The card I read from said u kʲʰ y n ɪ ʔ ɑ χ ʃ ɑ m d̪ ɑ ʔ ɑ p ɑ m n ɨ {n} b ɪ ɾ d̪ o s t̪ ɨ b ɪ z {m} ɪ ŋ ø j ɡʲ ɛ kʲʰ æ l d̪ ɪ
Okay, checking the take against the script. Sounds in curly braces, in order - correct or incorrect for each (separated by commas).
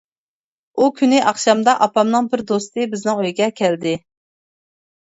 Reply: incorrect, incorrect